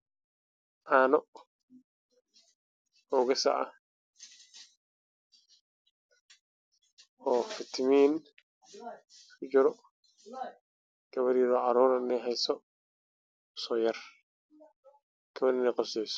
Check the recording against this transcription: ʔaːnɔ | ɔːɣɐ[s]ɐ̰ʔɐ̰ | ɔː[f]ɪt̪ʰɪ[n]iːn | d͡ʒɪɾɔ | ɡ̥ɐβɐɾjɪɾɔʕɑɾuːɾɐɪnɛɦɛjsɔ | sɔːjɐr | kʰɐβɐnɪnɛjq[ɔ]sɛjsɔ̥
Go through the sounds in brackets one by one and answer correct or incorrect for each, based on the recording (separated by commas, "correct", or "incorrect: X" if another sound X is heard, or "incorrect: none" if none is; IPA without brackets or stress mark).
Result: correct, correct, incorrect: m, correct